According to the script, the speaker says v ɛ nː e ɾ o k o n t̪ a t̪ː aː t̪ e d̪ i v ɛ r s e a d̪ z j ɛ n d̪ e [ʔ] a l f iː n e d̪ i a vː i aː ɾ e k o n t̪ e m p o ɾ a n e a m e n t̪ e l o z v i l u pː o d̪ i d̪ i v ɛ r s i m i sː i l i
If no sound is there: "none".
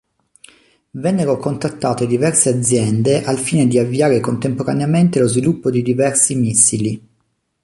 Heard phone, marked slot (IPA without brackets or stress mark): ʔ